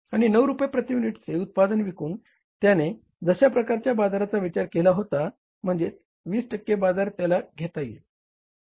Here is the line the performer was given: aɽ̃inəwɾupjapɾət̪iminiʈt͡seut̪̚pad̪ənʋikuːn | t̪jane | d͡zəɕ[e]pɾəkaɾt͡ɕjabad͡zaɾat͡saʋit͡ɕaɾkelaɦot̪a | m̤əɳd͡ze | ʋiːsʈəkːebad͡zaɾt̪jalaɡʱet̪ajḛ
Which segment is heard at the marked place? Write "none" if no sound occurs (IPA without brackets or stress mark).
a